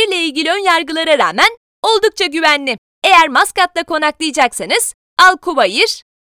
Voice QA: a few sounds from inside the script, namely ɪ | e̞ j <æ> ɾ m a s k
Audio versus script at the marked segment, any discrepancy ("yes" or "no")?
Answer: no